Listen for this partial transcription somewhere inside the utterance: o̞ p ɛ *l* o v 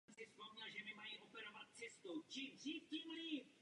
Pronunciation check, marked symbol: incorrect: ɾ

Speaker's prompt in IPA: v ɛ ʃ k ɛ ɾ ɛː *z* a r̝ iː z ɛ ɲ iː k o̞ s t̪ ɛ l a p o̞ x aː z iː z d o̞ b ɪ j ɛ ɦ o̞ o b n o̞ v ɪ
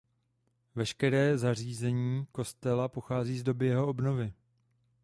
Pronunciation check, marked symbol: correct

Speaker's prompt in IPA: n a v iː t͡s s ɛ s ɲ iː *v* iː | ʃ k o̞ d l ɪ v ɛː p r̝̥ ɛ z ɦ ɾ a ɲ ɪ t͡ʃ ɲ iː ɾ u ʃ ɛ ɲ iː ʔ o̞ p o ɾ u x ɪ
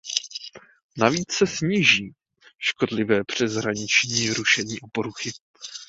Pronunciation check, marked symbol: incorrect: ʒ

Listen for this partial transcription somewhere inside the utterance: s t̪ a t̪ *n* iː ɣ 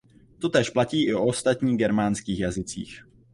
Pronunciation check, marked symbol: incorrect: ɲ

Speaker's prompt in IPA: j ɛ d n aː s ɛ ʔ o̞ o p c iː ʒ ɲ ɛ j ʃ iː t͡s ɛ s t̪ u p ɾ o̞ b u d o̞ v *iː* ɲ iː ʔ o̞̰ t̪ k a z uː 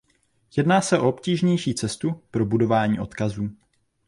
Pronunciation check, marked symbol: incorrect: aː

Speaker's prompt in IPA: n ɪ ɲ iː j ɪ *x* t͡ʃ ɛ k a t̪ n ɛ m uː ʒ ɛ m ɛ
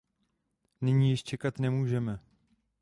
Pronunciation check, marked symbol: incorrect: ʃ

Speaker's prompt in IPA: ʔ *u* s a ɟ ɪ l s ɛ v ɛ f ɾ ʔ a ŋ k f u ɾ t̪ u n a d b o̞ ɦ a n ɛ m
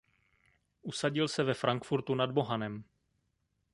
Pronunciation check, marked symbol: correct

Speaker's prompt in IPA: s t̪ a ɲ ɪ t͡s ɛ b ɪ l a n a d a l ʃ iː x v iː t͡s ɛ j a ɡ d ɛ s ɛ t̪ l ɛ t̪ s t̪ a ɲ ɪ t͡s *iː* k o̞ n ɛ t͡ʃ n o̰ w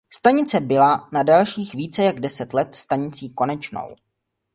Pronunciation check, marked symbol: correct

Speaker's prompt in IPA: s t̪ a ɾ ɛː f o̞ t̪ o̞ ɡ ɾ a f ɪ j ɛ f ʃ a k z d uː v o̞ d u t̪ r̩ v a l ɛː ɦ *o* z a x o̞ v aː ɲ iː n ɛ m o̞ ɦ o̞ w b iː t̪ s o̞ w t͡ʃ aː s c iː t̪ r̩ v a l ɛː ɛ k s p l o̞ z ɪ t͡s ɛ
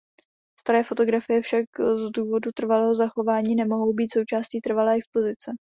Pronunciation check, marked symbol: correct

